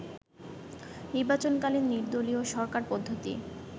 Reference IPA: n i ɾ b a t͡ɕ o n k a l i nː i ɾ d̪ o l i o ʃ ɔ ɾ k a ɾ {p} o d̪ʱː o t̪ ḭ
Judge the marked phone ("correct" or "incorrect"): correct